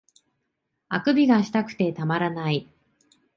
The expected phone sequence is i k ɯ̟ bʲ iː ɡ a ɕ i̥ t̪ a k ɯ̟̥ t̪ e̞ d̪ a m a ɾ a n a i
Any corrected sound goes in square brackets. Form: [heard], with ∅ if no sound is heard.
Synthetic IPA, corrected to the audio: [a] k ɯ̟ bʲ [i] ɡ a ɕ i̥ t̪ a k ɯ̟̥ t̪ e̞ [t̪] a m a ɾ a n a i